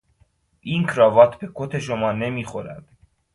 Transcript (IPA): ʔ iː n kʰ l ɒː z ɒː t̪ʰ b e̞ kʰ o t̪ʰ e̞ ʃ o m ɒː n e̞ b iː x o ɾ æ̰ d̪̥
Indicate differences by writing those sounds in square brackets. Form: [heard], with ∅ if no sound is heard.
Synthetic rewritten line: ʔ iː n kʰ [ɾ] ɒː [v] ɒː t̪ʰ b e̞ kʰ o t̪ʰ e̞ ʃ o m ɒː n e̞ [m] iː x o ɾ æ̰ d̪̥